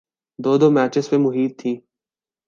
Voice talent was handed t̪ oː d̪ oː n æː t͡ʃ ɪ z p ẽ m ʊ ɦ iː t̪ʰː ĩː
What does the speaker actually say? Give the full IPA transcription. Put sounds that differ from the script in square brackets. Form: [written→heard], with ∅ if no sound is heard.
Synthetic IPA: [t̪→d̪] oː d̪ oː [n→m] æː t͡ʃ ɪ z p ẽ m ʊ ɦ iː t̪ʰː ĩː